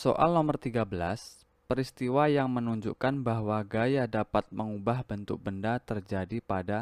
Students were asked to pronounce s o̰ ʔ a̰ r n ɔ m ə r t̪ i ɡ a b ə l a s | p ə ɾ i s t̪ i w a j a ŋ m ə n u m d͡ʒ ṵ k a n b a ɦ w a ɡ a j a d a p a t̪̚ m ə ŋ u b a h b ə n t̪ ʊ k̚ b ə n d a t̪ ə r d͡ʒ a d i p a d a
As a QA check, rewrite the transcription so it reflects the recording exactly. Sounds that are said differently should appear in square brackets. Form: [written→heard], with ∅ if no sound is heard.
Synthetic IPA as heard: s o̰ ʔ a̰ [r→l] n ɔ m ə r t̪ i ɡ a b ə l a s | p ə ɾ i s t̪ i w a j a ŋ m ə n u [m→ɲ] d͡ʒ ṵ k a n b a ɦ w a ɡ a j a d a p a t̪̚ m ə ŋ u b a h b ə n t̪ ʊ k̚ b ə n d a t̪ ə r d͡ʒ a d i p a d a